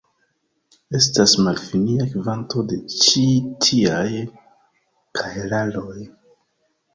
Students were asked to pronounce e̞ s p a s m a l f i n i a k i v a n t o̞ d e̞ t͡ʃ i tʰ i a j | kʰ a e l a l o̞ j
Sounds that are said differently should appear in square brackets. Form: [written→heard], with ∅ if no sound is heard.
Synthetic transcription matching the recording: e̞ s [p→t] a s m a l f i n i a k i v a n t o̞ d e̞ t͡ʃ i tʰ i a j | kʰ a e l a l o̞ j